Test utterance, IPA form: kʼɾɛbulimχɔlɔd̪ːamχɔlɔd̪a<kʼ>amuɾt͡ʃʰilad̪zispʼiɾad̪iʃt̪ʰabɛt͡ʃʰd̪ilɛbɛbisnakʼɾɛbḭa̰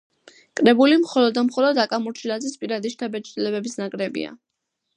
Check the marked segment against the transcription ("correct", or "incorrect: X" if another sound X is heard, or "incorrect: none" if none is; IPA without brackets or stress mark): correct